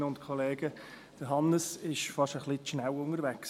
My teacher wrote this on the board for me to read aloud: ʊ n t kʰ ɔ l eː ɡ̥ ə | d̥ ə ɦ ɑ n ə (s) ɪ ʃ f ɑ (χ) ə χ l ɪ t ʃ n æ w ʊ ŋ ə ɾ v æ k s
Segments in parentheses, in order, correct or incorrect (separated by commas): correct, incorrect